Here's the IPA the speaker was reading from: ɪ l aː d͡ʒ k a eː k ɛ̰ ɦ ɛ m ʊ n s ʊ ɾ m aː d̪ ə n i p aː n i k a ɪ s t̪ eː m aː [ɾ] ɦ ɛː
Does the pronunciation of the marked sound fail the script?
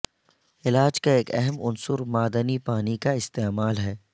yes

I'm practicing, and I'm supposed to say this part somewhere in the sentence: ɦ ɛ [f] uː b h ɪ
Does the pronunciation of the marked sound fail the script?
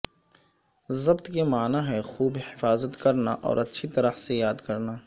yes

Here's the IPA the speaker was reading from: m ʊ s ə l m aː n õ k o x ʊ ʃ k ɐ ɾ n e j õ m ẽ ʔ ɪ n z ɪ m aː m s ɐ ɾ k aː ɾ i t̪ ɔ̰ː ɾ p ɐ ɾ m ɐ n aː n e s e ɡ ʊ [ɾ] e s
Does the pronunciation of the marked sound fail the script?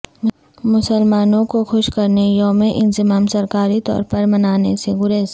no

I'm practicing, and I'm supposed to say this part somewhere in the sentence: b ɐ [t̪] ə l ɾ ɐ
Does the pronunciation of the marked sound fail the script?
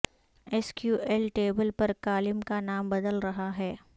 yes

